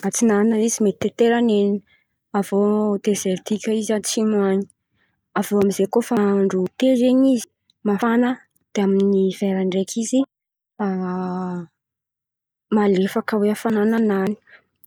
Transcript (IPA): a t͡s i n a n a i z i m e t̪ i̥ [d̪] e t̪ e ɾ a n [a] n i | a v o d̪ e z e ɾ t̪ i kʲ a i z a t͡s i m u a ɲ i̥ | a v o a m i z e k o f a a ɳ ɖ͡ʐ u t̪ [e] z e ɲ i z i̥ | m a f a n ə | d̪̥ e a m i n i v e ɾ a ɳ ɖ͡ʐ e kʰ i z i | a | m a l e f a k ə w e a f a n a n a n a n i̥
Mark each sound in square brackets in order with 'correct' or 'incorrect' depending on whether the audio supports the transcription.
incorrect, incorrect, correct

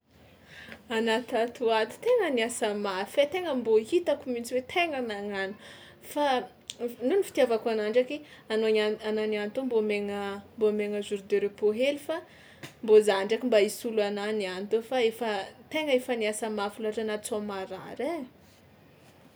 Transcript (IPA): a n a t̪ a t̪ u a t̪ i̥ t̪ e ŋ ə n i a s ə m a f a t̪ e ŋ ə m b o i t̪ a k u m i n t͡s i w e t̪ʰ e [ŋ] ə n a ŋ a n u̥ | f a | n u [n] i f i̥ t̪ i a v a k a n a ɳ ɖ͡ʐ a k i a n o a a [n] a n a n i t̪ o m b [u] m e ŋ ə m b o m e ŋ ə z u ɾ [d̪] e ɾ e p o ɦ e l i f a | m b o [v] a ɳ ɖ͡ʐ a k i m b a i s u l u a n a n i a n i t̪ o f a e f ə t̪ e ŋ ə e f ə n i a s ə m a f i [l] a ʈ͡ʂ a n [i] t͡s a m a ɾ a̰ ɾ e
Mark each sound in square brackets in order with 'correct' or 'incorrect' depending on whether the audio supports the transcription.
correct, correct, correct, incorrect, correct, incorrect, correct, incorrect

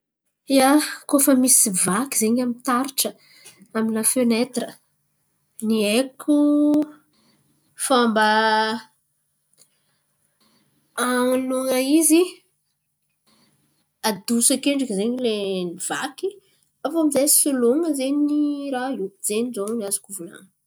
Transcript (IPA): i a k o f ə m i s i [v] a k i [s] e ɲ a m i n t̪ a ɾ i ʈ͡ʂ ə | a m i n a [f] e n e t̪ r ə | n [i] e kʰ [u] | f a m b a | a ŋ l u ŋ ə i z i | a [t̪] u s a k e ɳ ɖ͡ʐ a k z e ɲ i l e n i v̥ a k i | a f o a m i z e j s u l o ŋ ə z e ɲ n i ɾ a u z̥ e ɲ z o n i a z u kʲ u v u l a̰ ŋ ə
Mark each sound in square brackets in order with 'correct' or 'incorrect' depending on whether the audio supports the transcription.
correct, incorrect, correct, correct, correct, incorrect

